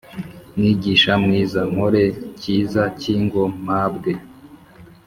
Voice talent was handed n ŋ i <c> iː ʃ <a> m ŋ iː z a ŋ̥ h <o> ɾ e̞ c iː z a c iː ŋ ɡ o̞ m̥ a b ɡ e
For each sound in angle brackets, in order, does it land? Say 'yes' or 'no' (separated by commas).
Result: no, yes, yes